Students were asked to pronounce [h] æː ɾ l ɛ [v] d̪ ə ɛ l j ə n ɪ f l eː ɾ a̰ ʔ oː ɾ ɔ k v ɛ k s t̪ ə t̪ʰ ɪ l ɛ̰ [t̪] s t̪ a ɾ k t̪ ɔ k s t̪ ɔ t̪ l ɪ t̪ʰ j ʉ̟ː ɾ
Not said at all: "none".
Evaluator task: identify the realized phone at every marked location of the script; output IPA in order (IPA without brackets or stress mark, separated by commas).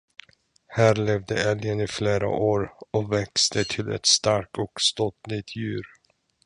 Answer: h, v, t̪